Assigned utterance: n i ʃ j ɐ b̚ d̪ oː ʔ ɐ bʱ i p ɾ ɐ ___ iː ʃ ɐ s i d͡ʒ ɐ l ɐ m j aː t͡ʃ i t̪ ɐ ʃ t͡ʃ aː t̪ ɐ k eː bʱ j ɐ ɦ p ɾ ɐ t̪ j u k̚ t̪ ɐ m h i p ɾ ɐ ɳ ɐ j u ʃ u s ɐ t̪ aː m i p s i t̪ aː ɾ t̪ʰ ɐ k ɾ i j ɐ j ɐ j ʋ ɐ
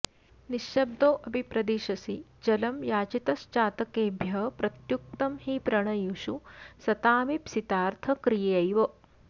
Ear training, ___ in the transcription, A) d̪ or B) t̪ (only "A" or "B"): A